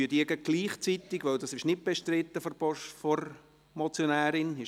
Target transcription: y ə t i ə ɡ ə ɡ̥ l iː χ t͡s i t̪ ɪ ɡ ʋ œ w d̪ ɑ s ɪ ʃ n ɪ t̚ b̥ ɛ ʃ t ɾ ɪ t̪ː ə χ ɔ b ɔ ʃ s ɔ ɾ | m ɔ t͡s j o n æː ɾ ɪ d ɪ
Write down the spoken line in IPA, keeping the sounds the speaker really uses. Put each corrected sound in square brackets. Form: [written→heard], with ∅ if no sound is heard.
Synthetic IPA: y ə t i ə ɡ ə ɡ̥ l iː χ t͡s i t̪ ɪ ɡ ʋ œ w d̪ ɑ s ɪ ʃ n ɪ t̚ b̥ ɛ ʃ t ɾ ɪ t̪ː ə [χ→f] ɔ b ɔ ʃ [s→f] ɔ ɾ | m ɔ t͡s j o n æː ɾ ɪ [d→n] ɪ